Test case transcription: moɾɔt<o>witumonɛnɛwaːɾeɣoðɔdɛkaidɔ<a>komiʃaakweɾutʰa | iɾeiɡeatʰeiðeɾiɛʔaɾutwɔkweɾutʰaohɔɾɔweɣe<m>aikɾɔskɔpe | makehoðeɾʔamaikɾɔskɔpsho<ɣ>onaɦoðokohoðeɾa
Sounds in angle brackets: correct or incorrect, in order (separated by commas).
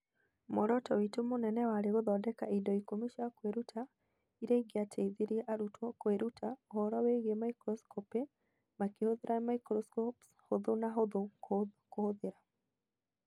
incorrect, incorrect, correct, incorrect